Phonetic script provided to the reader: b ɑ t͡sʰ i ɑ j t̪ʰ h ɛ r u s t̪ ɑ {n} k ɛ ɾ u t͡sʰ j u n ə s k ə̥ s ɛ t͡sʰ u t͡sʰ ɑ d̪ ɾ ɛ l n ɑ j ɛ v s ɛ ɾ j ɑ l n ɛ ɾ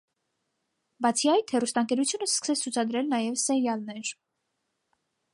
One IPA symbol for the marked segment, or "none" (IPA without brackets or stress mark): ŋ